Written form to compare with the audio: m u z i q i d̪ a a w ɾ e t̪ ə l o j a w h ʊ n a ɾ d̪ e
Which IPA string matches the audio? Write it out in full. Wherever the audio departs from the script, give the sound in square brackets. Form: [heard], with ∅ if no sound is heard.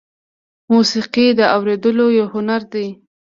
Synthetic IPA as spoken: m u [s] i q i d̪ [ə] a w ɾ e [d̪] ə l o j a w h ʊ n a ɾ d̪ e